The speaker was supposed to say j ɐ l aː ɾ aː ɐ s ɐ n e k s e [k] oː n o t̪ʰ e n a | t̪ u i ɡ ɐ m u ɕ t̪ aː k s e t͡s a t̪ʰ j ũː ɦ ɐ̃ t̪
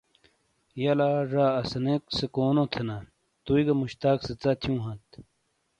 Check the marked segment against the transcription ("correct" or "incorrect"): correct